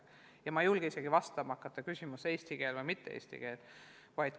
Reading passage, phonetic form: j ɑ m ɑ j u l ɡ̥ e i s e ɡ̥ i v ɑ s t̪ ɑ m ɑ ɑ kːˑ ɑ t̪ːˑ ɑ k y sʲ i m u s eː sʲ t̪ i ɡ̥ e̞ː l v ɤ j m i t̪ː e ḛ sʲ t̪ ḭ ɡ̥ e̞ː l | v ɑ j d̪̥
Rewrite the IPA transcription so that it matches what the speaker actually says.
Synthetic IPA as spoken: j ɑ m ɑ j u l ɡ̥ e i s e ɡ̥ i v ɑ s t̪ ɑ m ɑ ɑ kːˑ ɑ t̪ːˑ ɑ k y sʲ i m u s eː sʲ t̪ i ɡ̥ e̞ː l v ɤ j m i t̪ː e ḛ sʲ t̪ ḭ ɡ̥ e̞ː l | v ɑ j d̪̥